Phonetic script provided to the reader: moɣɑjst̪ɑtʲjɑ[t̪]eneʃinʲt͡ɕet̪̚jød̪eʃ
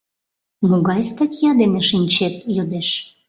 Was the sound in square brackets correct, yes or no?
no